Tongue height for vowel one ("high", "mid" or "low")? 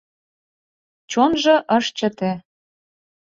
mid